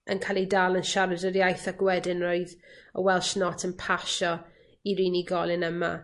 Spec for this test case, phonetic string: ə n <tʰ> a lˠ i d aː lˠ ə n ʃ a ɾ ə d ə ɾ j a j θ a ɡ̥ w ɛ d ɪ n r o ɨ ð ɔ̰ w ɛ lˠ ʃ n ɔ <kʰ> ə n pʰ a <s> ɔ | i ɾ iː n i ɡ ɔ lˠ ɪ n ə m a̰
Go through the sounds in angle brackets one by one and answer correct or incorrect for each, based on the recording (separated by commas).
incorrect, incorrect, incorrect